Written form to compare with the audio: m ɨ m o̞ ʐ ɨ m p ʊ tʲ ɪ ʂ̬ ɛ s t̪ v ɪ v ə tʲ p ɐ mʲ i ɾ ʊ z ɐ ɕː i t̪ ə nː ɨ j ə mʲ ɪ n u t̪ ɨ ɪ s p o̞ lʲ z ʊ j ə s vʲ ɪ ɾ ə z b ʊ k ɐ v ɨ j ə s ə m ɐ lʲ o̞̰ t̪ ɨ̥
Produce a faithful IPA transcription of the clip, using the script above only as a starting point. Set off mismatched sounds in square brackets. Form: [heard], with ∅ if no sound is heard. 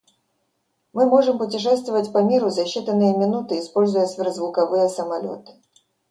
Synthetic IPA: m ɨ m o̞ ʐ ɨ m p ʊ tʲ ɪ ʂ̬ ɛ s t̪ v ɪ v ə tʲ p ɐ mʲ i ɾ ʊ z ɐ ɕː i t̪ ə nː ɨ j ə mʲ ɪ n u t̪ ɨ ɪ s p o̞ lʲ z ʊ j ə s vʲ ɪ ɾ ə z [v] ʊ k ɐ v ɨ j ə s ə m ɐ lʲ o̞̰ t̪ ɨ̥